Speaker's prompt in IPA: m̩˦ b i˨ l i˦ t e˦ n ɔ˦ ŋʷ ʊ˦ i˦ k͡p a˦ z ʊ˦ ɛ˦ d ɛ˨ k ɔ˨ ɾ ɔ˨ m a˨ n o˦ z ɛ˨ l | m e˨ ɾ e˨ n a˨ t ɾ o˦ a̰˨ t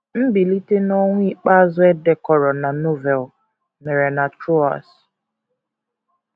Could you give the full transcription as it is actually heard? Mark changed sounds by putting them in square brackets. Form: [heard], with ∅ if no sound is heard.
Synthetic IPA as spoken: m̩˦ b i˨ l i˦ t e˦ n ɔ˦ ŋʷ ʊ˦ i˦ k͡p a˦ z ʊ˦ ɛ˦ d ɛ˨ k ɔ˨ ɾ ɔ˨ [n] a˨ n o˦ [v] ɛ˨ l | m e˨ ɾ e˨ n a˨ t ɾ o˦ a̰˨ [s]